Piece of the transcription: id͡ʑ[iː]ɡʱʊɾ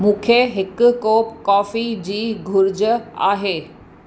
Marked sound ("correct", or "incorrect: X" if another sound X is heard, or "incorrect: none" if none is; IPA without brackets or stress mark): correct